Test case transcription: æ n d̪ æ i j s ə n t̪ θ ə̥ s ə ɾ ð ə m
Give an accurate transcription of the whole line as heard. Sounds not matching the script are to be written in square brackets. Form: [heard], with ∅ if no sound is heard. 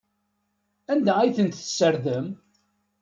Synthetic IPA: æ n d̪ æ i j [θ] ə n t̪ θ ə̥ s ə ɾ ð ə m